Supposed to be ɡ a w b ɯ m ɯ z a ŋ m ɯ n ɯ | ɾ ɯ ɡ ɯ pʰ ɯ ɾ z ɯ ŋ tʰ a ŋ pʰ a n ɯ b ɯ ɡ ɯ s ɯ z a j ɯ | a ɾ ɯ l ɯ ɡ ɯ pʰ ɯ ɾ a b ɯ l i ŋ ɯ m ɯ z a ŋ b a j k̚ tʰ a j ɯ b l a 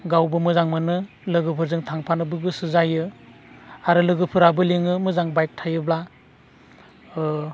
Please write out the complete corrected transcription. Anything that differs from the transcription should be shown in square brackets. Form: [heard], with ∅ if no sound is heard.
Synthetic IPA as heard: ɡ a w b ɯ m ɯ z a ŋ m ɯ n ɯ | [l] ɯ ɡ ɯ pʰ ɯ ɾ z ɯ ŋ tʰ a ŋ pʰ a n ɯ b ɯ ɡ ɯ s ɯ z a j ɯ | a ɾ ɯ l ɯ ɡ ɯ pʰ ɯ ɾ a b ɯ l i ŋ ɯ m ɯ z a ŋ b a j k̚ tʰ a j ɯ b l a